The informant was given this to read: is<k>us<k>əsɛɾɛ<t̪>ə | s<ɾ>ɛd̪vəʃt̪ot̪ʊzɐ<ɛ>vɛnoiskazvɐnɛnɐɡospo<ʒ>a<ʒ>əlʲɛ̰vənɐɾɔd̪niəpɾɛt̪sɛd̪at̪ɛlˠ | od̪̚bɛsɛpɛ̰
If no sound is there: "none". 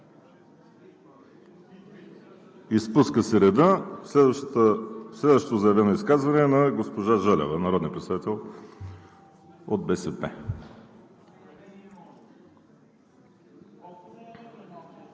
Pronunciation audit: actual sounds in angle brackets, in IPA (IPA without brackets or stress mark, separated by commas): p, k, d̪, l, ɛ, ʒ, ʒ